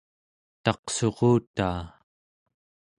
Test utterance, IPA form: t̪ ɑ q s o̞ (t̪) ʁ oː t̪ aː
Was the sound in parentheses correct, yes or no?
no